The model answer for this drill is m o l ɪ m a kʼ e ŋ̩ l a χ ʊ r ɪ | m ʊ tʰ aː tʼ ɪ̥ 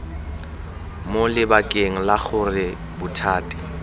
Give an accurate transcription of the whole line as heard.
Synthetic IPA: m o l ɪ b a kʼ e ŋ̩ l a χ ʊ r ɪ | b ʊ tʰ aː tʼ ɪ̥